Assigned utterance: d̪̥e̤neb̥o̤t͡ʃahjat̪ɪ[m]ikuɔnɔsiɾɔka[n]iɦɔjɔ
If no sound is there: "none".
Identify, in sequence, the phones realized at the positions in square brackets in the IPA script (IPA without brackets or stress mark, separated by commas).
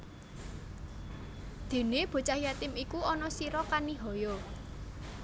m, n